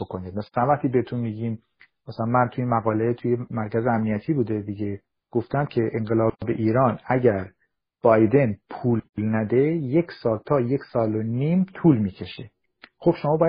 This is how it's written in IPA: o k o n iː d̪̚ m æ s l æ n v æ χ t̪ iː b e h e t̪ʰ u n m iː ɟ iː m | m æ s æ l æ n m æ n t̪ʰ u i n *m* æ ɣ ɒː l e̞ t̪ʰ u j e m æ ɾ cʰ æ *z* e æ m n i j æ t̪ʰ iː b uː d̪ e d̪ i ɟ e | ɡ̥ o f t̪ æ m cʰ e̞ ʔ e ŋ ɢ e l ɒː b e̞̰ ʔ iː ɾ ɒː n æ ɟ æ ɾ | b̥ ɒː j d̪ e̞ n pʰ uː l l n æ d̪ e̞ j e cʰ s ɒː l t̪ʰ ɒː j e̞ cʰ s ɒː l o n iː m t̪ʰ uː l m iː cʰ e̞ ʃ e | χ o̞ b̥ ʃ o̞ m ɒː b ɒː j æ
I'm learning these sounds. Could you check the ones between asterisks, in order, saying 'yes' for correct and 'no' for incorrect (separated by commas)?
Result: yes, yes